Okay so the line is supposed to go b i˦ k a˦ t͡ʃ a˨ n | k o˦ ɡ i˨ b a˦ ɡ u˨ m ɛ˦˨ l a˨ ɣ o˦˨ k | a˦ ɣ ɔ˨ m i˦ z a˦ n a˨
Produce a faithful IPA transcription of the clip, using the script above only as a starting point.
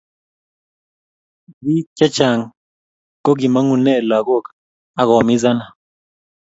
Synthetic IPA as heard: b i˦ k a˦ t͡ʃ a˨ ŋ | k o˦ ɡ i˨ m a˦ ŋ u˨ n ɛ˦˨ l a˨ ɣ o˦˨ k | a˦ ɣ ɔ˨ m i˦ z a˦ n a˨